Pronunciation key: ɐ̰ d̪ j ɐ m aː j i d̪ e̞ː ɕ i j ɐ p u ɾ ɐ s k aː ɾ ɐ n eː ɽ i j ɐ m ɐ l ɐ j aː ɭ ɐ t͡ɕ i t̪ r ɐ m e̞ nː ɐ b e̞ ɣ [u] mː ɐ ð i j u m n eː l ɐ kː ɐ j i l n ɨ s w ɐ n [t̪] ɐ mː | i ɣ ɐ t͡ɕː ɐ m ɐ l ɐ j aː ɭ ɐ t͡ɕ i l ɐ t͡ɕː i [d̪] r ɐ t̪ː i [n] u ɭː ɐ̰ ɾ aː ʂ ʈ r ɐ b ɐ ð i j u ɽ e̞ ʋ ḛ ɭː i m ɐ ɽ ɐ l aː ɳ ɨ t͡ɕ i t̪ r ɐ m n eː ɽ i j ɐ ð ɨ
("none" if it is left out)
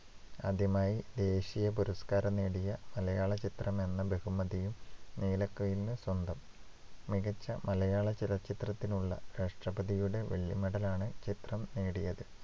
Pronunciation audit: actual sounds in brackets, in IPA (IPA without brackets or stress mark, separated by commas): u, d̪, t̪, n